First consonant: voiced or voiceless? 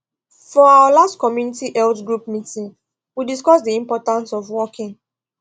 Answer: voiceless